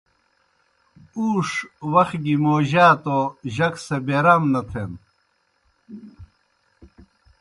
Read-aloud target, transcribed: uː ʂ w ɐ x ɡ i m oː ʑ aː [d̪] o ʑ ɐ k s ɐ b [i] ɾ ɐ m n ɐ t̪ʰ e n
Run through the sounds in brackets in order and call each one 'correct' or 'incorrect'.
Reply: incorrect, incorrect

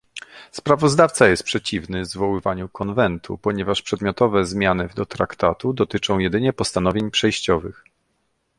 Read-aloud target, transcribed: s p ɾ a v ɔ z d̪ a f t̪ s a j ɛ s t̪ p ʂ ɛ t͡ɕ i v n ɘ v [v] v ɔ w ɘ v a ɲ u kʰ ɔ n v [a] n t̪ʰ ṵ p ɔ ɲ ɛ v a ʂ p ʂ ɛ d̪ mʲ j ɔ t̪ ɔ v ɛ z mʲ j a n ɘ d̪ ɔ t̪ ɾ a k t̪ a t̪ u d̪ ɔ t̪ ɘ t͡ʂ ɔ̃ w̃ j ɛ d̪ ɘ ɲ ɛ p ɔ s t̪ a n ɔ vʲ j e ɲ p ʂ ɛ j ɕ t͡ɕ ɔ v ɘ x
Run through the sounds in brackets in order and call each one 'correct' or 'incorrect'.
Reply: incorrect, incorrect

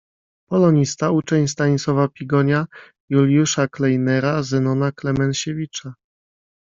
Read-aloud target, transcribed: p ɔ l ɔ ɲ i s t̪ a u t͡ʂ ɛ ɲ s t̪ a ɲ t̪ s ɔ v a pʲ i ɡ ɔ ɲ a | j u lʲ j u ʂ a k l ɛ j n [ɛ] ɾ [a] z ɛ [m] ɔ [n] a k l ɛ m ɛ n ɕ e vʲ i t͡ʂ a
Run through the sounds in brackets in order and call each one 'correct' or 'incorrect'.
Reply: correct, correct, incorrect, correct

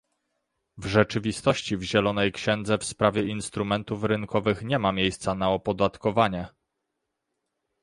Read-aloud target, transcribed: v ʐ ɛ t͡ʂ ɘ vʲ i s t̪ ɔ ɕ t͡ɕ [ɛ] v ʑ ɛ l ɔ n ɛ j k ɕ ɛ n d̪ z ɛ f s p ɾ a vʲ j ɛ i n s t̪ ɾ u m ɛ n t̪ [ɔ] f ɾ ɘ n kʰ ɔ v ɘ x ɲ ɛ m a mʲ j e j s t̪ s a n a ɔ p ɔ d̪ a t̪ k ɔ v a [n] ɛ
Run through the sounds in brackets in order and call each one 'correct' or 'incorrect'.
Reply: incorrect, incorrect, incorrect

